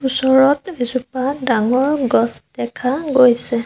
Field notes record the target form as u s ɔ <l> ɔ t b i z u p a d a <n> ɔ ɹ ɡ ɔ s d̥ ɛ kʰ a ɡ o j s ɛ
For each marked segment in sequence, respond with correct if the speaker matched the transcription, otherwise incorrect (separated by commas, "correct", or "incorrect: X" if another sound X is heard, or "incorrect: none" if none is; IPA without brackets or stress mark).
incorrect: ɹ, incorrect: ŋ